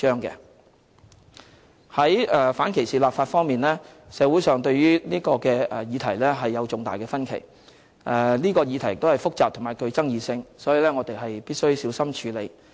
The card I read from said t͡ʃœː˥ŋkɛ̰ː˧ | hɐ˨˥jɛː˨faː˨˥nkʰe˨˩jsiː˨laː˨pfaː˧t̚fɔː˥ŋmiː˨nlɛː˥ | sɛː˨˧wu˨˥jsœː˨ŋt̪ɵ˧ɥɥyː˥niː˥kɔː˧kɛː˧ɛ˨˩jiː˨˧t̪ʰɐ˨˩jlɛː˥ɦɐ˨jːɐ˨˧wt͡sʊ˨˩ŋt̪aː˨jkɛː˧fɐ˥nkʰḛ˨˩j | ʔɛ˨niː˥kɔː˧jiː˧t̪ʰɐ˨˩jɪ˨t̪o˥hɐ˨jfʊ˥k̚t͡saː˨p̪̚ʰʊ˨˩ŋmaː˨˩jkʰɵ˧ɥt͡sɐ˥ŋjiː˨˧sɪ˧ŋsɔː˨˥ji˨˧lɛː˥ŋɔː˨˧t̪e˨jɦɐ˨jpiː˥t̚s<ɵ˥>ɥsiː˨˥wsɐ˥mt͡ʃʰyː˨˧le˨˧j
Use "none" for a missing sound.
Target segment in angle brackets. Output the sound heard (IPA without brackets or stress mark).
ɵ˥